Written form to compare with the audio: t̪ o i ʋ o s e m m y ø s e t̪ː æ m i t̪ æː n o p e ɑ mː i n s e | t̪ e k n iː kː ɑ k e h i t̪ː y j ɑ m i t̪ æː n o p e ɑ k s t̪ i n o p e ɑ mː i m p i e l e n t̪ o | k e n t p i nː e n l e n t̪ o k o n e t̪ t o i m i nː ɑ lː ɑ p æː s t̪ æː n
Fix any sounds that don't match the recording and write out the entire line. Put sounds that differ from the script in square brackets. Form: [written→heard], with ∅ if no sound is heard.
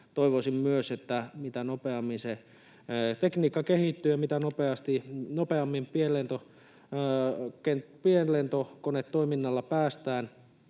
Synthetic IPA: t̪ o i ʋ o s [e→i] m m y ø s e t̪ː æ m i t̪ [æː→æ] n o p e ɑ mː i n s e | t̪ e k n iː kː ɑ k e h i t̪ː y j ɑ m i t̪ [æː→æ] n o p e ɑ [k→∅] s t̪ i n o p e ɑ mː i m p i e l e n t̪ o | k e n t p i [nː→∅] e n l e n t̪ o k o n e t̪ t o i m i nː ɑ lː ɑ p æː s t̪ æː n